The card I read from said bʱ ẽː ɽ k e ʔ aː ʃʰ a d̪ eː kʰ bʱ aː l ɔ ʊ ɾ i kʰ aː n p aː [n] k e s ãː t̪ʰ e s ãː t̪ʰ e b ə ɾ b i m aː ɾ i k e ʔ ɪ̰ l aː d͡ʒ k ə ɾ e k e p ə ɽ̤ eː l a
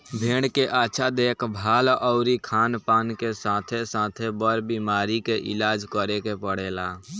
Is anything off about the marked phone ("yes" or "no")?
no